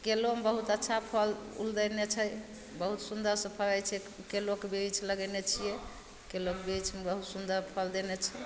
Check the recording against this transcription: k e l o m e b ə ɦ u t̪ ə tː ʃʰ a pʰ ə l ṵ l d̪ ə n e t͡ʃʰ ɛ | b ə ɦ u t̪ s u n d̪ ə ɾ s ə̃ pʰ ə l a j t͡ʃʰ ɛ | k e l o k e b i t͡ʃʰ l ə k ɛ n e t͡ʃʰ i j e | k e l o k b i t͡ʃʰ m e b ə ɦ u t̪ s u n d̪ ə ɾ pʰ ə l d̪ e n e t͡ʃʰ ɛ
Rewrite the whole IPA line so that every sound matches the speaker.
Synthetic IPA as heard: k e l o m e b ə ɦ u t̪ ə tː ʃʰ a pʰ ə l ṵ l d̪ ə n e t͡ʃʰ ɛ | b ə ɦ u t̪ s u n d̪ ə ɾ s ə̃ pʰ ə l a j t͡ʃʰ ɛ | k e l o k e b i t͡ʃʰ l ə ɡ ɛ n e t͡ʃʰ i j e | k e l o k b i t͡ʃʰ m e b ə ɦ u t̪ s u n d̪ ə ɾ pʰ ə l d̪ e n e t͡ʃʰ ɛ